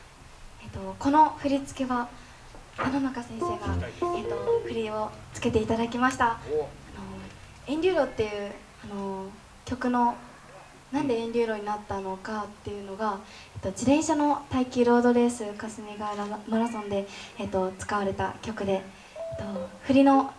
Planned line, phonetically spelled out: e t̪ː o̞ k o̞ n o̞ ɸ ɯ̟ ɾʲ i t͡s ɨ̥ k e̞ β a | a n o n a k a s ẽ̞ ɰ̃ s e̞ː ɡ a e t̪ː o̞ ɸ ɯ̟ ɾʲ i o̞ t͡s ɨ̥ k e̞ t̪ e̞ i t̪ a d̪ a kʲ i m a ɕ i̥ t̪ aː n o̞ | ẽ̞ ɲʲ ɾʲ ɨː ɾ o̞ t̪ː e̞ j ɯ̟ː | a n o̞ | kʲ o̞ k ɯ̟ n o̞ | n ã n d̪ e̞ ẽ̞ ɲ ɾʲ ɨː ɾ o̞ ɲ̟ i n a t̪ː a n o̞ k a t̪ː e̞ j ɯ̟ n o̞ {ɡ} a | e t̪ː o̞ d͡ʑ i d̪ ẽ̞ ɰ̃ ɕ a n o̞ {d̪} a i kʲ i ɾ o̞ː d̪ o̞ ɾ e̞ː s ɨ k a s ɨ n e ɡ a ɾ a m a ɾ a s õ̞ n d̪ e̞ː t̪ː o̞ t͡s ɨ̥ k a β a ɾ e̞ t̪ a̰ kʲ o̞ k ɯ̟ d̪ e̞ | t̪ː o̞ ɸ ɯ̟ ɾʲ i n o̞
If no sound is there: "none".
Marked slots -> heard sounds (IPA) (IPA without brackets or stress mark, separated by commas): ɡ, t̪